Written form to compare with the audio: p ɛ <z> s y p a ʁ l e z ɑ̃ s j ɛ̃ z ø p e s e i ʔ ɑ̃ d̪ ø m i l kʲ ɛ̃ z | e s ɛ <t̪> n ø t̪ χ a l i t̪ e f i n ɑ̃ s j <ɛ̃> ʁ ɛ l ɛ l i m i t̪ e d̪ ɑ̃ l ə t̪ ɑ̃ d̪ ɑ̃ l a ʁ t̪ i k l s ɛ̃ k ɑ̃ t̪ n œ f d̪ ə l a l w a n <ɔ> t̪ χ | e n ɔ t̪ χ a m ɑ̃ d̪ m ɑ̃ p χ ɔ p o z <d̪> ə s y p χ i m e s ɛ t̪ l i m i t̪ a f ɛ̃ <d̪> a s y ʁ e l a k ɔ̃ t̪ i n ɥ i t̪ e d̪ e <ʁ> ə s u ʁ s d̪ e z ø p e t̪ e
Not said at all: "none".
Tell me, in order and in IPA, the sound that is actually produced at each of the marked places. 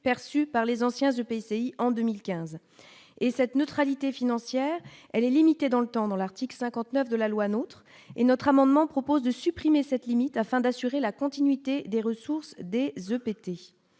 ʁ, t̪, ɛ, o, d̪, d̪, ʁ

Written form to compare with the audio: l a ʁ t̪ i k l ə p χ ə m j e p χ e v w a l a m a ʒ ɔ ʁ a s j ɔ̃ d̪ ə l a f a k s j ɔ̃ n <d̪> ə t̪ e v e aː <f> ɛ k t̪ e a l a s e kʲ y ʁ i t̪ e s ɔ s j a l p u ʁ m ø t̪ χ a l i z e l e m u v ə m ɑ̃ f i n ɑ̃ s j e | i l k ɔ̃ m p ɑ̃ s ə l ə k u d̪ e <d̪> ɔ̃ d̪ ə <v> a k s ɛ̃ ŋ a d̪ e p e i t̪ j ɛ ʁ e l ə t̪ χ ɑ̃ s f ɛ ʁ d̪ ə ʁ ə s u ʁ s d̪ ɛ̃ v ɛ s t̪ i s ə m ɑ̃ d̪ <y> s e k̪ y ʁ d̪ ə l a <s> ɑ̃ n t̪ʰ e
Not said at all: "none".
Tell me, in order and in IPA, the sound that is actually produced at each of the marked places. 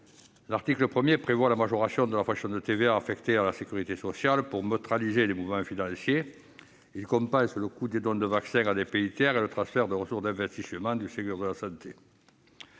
d̪, f, d̪, v, y, s

